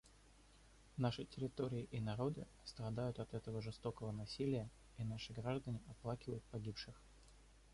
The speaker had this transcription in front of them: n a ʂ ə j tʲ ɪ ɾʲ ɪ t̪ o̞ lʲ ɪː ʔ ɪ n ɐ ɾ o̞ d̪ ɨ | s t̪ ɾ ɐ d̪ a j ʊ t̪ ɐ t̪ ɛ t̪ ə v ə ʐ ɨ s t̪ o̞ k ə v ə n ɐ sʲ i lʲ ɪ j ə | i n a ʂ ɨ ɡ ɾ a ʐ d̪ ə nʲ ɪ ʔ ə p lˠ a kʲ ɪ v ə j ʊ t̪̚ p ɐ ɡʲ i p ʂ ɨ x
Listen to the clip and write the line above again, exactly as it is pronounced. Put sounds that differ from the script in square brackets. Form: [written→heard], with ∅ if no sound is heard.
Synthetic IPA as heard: n a ʂ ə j tʲ ɪ ɾʲ ɪ t̪ o̞ [lʲ→ɾʲ] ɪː ʔ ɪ n ɐ ɾ o̞ d̪ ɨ | s t̪ ɾ ɐ d̪ a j ʊ t̪ ɐ t̪ ɛ t̪ ə v ə ʐ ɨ s t̪ o̞ k ə v ə n ɐ sʲ i lʲ ɪ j ə | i n a ʂ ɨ ɡ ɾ a ʐ d̪ ə nʲ ɪ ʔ [ə→ɐ] p lˠ a kʲ ɪ v ə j ʊ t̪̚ p ɐ ɡʲ i p ʂ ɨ x